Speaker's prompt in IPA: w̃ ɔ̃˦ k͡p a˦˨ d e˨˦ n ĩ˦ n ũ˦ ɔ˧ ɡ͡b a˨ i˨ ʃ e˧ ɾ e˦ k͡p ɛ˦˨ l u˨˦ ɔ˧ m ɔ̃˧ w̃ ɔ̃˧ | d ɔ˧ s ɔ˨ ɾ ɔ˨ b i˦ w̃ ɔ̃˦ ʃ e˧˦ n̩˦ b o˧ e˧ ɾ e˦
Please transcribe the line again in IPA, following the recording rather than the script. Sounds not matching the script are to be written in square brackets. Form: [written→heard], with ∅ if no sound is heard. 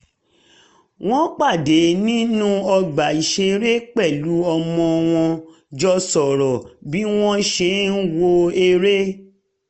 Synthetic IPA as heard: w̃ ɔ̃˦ k͡p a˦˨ d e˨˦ n ĩ˦ n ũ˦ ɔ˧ ɡ͡b a˨ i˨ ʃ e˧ ɾ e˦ k͡p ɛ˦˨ l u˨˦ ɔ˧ m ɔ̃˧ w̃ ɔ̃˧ | [d→d͡ʒ] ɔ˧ s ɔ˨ ɾ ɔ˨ b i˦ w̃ ɔ̃˦ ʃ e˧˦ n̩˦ [b→w] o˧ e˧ ɾ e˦